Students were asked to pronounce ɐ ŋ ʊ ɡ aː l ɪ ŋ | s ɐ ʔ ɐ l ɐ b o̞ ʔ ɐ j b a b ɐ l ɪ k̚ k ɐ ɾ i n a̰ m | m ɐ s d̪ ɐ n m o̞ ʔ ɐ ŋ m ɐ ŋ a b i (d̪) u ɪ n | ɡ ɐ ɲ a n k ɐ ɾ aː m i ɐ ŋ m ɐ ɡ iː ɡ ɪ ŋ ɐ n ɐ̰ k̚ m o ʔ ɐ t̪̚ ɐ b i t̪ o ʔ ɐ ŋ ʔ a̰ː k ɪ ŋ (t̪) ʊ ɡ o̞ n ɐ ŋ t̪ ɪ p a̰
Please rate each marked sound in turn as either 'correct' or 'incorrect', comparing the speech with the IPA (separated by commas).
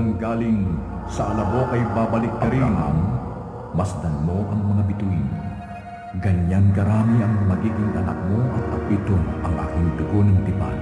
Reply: incorrect, incorrect